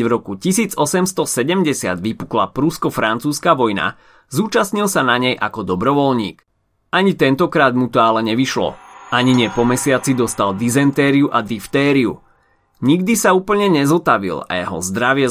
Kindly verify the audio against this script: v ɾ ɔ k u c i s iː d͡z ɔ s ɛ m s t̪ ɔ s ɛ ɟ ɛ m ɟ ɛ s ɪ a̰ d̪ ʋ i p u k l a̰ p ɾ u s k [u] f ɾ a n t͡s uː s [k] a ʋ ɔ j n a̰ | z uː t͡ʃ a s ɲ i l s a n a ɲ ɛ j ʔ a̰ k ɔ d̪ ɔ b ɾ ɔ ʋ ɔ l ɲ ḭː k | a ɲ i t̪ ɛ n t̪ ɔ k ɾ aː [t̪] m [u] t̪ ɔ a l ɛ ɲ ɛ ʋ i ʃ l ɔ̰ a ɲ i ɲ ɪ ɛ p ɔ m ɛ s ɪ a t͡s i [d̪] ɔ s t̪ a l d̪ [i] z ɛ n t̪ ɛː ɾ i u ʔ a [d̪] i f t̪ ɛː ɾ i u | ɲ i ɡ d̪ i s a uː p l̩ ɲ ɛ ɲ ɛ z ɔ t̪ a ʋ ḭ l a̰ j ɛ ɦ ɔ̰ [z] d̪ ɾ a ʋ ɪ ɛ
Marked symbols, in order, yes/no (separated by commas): no, yes, no, yes, yes, yes, yes, yes